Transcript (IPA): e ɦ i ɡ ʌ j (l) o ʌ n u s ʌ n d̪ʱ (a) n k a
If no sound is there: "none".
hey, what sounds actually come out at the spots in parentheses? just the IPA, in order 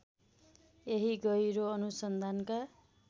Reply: ɾ, a

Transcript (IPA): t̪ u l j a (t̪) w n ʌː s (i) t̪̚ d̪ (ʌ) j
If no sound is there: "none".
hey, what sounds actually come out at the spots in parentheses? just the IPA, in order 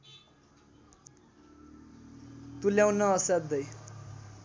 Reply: none, a, ʌ

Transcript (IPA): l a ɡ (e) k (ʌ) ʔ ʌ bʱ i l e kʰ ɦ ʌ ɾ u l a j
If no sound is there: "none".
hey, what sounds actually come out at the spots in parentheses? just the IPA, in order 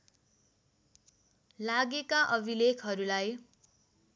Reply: e, a

